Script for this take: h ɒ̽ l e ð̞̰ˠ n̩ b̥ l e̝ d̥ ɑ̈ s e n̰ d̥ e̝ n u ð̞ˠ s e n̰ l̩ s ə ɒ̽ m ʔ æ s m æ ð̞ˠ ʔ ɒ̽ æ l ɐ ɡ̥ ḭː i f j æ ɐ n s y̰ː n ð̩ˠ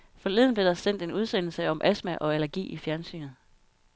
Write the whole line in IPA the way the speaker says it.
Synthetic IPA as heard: f ɒ̽ l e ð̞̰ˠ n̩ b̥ l e̝ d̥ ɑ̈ s e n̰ d̥ e̝ n u ð̞ˠ s e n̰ l̩ s ə ɒ̽ m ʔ æ s m æ ʔ ɒ̽ æ l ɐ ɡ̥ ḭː i f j æ ɐ n s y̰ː n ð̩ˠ